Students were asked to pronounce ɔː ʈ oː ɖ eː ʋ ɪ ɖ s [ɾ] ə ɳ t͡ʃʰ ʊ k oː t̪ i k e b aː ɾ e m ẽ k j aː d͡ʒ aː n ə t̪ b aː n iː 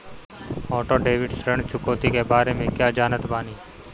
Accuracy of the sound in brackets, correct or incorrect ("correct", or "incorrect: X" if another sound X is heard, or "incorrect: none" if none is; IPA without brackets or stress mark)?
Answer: correct